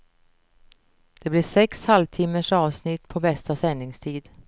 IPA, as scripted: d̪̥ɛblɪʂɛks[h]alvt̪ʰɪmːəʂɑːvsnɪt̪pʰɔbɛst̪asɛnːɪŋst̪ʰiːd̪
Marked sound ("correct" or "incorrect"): correct